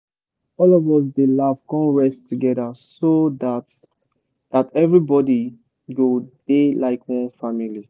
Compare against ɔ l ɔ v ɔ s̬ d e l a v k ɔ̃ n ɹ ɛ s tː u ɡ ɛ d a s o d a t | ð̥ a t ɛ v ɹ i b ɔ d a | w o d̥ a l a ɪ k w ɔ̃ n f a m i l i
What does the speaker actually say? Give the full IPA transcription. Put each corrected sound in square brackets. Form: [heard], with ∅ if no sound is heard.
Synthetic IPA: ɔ l ɔ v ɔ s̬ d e l a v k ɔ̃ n ɹ ɛ s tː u ɡ ɛ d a s o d a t | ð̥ a t ɛ v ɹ i b ɔ d [i] | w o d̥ [e] l a ɪ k w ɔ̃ n f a m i l i